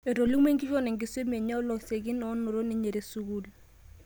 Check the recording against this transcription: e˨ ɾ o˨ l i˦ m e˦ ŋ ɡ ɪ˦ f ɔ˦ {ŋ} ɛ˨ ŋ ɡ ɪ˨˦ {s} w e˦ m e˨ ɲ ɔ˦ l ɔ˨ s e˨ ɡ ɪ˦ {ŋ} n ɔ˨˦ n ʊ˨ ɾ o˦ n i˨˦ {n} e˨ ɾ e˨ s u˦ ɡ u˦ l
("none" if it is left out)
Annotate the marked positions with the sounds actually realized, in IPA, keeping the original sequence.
n, s, none, ɲ

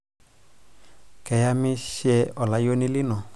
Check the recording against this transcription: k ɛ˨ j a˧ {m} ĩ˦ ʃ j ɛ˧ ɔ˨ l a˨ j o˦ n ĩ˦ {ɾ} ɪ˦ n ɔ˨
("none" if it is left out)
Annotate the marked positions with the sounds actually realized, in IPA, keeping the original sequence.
m, l

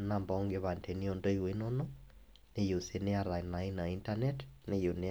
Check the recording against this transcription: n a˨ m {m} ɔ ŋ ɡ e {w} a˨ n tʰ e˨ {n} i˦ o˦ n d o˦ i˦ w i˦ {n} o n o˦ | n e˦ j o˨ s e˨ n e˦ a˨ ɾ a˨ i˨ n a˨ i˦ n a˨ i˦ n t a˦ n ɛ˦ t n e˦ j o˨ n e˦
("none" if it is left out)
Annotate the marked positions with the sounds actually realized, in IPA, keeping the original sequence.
b, β, n, n

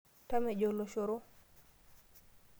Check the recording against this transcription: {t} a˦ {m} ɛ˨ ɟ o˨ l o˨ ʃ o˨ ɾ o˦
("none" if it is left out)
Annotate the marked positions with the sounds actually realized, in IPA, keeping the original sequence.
t, m

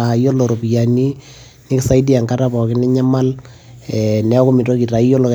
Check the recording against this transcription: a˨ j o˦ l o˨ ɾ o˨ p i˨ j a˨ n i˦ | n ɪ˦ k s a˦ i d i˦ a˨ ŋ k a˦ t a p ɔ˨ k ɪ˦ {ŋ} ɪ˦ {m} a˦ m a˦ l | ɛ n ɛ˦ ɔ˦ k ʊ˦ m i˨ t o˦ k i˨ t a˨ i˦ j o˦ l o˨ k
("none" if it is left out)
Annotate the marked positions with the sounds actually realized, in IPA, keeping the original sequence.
n, ɲ

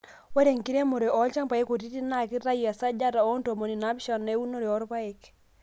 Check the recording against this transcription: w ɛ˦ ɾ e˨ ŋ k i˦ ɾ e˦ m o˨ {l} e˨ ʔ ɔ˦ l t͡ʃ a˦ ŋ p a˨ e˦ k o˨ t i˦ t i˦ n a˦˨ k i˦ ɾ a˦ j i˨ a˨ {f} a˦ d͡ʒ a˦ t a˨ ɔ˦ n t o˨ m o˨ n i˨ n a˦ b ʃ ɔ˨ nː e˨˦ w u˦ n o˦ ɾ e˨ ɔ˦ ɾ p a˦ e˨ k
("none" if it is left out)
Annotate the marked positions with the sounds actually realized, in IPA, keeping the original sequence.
ɾ, s

